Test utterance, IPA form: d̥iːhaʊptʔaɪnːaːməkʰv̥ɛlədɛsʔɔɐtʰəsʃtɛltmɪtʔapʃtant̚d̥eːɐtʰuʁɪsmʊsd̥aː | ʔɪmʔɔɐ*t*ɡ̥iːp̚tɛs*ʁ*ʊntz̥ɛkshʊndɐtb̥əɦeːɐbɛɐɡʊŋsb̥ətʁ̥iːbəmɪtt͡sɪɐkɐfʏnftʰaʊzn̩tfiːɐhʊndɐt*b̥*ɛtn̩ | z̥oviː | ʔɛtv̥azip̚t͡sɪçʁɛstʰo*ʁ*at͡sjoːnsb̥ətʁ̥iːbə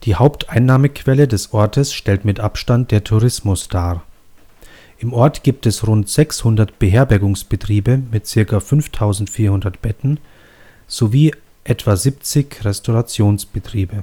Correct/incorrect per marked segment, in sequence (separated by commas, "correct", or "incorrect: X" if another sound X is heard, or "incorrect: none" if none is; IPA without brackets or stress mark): correct, correct, correct, correct